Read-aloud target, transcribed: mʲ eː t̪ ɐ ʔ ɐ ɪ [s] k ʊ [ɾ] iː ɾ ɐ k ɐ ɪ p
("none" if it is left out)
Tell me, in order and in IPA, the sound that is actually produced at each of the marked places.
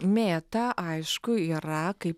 ʃ, none

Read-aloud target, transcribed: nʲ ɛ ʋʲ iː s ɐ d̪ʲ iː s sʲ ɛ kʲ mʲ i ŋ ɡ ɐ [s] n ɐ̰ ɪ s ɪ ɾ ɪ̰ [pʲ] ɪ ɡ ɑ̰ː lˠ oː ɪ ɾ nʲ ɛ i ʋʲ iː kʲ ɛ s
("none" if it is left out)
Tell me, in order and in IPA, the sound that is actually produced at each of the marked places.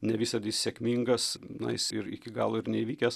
s, kʲ

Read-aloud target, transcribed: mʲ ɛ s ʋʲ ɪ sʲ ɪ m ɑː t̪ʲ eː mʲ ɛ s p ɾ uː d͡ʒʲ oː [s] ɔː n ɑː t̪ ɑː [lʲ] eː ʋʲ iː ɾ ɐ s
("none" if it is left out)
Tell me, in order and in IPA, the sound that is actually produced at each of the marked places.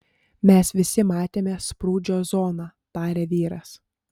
z, ɾʲ

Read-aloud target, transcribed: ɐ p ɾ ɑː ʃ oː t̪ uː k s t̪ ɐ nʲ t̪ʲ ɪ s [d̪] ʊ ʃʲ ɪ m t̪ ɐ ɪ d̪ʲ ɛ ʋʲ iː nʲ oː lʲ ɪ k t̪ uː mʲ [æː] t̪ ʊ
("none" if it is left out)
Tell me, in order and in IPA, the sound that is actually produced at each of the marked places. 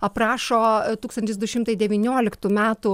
d̪, æː

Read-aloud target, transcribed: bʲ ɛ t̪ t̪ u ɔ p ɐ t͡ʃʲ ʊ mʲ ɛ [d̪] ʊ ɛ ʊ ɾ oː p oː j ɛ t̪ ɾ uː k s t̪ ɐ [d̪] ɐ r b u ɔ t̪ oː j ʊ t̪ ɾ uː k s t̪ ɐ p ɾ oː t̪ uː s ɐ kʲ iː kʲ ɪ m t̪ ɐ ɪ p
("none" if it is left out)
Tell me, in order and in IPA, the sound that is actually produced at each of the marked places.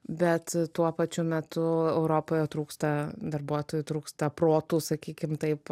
t̪, d̪

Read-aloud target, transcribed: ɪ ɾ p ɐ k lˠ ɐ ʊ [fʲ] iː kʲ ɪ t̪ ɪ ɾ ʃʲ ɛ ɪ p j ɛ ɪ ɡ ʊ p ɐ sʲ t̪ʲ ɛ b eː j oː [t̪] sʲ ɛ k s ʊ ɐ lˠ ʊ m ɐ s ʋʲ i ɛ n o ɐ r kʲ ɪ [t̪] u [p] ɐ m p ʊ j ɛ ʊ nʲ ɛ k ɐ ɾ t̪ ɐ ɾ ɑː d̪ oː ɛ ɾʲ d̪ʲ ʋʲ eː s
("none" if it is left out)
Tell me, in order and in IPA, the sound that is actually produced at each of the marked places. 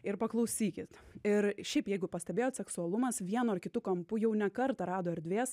sʲ, t̪, t̪, k

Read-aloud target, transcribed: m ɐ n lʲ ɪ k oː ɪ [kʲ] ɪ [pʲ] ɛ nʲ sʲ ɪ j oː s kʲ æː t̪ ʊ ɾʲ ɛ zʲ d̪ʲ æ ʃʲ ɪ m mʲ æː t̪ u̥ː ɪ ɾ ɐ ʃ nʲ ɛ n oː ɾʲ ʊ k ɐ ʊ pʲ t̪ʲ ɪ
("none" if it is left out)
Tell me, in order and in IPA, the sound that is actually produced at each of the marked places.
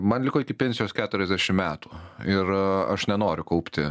kʲ, pʲ

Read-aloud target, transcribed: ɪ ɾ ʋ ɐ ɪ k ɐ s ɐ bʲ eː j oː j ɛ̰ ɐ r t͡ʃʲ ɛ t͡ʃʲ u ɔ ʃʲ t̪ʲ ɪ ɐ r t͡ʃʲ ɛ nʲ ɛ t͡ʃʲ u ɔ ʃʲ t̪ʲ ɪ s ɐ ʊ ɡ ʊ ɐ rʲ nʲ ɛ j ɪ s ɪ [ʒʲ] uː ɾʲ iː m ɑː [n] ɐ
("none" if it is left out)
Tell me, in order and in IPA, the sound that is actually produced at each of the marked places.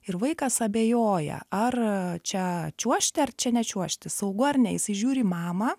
ʒʲ, m

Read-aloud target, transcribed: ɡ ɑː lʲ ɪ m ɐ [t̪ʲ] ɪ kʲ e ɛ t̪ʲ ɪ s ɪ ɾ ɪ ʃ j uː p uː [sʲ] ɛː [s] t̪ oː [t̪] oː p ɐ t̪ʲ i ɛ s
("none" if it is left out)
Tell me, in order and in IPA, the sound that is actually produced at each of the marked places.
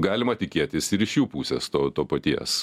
t̪ʲ, sʲ, s, t̪

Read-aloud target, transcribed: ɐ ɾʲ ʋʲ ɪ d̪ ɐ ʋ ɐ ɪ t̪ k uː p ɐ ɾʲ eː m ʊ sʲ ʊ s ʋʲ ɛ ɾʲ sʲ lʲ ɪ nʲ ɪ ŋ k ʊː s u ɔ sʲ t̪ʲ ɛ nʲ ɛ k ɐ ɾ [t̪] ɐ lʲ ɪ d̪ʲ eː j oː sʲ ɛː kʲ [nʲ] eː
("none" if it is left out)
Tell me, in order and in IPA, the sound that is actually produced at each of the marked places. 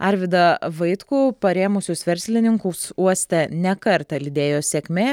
t̪, mʲ

